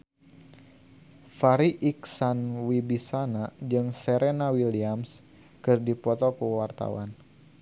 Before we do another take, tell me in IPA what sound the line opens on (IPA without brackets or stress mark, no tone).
f